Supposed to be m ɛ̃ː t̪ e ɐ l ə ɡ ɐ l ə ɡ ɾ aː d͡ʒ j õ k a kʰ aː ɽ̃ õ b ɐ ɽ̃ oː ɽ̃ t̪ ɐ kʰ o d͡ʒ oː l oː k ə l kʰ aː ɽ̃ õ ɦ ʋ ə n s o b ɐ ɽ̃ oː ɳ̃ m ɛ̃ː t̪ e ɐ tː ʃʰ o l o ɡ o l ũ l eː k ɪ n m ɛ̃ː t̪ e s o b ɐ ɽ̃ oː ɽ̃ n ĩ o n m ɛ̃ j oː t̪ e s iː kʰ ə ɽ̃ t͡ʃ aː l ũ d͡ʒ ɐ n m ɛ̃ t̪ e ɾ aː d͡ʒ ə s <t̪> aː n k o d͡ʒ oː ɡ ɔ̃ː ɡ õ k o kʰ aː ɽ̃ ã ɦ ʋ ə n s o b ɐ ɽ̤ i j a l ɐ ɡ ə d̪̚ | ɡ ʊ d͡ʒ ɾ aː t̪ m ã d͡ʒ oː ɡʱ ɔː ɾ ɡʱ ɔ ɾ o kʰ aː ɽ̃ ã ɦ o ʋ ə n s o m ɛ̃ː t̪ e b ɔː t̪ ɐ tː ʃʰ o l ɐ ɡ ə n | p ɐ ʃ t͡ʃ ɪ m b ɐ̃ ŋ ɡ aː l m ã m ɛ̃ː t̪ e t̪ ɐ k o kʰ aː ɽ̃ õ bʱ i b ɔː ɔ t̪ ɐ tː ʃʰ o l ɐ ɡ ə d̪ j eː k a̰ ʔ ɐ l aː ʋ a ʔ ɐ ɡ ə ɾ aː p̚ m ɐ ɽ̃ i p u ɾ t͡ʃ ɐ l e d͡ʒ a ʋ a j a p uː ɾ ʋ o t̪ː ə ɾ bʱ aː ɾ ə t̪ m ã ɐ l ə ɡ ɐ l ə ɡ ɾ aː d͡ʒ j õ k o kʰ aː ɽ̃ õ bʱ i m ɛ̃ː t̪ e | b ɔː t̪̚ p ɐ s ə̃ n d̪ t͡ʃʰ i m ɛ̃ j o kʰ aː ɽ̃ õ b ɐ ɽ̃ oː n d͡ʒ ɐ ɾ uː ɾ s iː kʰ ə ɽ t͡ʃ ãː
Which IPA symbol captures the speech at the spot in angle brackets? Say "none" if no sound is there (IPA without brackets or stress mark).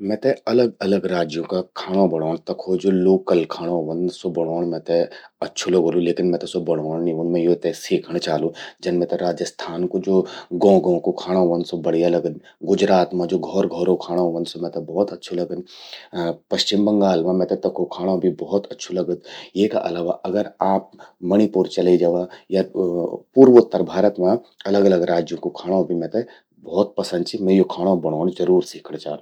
t̪ʰ